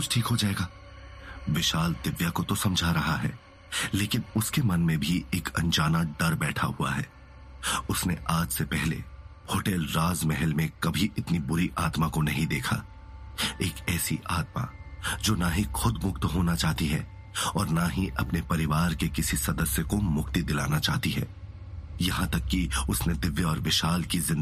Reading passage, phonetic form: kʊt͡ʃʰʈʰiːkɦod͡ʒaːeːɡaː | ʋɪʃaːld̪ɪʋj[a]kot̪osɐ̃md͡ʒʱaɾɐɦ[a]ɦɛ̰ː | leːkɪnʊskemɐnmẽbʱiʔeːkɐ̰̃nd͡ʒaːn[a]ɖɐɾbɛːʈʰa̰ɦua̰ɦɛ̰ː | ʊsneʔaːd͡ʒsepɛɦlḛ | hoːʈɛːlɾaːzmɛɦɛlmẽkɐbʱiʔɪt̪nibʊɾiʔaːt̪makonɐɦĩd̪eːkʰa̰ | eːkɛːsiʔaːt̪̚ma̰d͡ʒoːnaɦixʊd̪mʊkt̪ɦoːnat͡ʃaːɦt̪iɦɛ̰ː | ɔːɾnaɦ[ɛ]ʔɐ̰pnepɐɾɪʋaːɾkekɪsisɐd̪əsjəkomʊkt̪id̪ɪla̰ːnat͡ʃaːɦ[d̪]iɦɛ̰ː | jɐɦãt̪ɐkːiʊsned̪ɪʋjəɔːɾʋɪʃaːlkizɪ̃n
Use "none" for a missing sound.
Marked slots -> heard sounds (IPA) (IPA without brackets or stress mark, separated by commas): a, a, a, i, t̪